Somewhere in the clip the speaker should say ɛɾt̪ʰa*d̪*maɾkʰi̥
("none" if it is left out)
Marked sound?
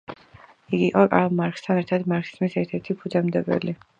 d̪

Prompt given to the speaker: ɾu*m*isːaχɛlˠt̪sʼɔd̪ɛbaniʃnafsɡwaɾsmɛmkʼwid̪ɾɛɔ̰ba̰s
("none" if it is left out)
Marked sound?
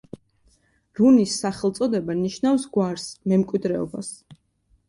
n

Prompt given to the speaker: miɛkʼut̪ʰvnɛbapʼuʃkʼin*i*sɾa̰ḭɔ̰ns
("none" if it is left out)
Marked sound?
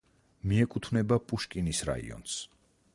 i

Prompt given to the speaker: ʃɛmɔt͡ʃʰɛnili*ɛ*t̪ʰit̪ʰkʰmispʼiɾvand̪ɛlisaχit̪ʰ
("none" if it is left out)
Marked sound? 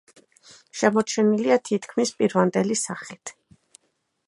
a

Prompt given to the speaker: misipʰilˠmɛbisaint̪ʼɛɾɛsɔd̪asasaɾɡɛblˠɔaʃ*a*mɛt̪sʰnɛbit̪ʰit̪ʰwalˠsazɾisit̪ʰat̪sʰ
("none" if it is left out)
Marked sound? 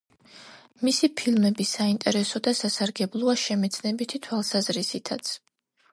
ɛ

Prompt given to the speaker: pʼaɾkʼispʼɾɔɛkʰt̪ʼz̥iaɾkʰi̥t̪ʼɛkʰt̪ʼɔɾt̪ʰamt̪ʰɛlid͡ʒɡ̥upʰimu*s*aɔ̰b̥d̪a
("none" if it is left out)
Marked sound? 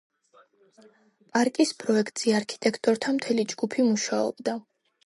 ʃ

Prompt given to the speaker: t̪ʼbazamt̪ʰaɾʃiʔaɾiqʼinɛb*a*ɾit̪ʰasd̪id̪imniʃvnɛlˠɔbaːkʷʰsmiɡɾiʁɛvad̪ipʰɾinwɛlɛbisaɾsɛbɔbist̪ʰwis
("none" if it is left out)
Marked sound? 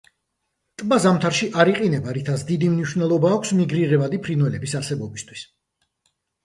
a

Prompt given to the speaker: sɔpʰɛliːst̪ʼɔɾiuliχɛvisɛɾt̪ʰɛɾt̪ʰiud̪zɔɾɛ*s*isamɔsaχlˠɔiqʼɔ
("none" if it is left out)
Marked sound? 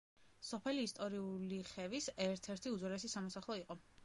s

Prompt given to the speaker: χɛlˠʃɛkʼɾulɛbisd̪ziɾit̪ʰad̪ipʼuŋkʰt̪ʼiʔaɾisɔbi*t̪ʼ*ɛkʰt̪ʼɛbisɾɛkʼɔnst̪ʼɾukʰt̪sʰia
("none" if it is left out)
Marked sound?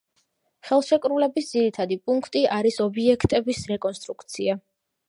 none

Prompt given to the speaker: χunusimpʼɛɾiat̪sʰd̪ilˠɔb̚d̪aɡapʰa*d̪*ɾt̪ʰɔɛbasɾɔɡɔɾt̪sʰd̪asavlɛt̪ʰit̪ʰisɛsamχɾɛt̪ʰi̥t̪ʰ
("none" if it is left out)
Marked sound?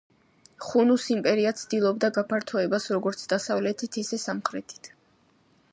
none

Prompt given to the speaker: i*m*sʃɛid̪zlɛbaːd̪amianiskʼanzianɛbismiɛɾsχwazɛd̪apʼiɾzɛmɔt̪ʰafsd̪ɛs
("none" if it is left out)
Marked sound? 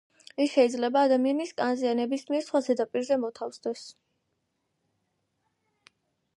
none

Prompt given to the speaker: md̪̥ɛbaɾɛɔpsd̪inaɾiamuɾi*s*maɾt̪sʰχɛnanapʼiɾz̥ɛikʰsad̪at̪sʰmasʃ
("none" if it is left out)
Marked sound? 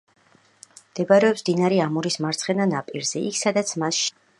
s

